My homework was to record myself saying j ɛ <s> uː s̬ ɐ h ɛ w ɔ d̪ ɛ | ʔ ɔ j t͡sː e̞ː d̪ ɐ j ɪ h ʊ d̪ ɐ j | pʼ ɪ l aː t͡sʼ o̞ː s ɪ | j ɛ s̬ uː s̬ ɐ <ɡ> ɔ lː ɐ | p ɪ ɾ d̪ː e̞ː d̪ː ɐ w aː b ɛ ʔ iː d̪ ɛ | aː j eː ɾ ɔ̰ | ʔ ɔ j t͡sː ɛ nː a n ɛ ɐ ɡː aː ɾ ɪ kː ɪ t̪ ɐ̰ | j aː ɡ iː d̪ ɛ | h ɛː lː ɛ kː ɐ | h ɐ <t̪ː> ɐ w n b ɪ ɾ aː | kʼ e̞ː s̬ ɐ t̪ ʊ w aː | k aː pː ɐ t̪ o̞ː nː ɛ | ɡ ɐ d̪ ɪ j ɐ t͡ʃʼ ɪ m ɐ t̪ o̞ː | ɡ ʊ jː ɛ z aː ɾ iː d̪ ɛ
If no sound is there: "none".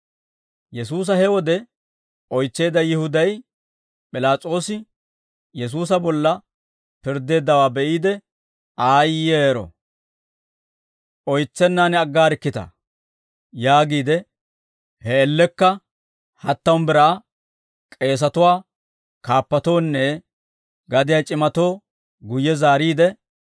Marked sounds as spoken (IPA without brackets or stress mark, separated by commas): s, b, t̪ː